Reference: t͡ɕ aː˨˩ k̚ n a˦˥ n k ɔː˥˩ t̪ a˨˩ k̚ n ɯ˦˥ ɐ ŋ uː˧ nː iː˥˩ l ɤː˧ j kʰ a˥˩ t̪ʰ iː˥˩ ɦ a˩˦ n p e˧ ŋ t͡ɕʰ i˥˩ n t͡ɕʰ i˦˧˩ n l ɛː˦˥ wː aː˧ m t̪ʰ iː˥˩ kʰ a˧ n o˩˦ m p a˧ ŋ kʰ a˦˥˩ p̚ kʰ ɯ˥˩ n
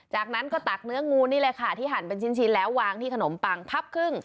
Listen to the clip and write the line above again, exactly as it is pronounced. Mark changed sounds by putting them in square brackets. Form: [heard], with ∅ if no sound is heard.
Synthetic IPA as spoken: t͡ɕ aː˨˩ k̚ n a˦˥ n k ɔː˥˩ t̪ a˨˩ k̚ n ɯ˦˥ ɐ ŋ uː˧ [n] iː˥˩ l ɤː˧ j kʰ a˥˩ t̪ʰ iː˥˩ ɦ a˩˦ n p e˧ [n] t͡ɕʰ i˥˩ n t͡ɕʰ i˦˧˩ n l ɛː˦˥ wː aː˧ [ŋ] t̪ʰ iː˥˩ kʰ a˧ n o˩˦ m p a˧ ŋ [pʰ] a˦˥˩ p̚ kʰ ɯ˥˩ [ŋ]